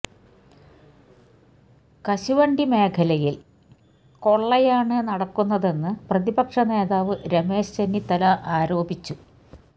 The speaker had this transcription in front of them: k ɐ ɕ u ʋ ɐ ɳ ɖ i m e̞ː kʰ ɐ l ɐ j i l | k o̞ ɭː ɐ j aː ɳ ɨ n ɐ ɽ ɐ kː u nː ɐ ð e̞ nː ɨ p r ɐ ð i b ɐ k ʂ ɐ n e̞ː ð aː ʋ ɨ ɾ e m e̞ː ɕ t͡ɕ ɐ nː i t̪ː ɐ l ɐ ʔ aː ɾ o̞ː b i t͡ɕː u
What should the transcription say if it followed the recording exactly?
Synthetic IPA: k ɐ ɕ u ʋ ɐ ɳ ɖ i m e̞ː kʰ ɐ l ɐ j i l | k o̞ ɭː ɐ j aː ɳ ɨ n ɐ ɽ ɐ kː u nː ɐ ð e̞ nː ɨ p r ɐ ð i b ɐ k ʂ ɐ n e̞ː ð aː ʋ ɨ ɾ e m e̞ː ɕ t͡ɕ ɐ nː i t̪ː ɐ l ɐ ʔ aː ɾ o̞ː b i t͡ɕː u